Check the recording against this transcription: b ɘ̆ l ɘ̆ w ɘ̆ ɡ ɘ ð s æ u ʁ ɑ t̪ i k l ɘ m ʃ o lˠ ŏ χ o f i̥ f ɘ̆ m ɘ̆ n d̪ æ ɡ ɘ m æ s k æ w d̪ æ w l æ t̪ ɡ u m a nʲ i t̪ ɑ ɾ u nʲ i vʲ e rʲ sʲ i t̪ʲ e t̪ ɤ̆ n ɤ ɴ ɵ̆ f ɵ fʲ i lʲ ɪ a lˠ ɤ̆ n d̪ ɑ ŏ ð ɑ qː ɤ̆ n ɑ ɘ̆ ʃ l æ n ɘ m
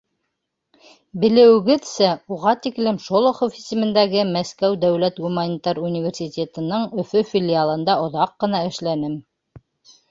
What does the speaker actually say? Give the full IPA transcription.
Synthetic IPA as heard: b ɘ̆ l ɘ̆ w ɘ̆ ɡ ɘ ð s æ u ʁ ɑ t̪ i k l ɘ m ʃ o lˠ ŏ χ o f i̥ s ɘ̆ m ɘ̆ n d̪ æ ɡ ɘ m æ s k æ w d̪ æ w l æ t̪ ɡ u m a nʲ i t̪ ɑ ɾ u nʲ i vʲ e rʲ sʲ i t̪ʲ e t̪ ɤ̆ n ɤ ɴ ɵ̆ f ɵ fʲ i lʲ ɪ a lˠ ɤ̆ n d̪ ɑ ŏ ð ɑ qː ɤ̆ n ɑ ɘ̆ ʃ l æ n ɘ m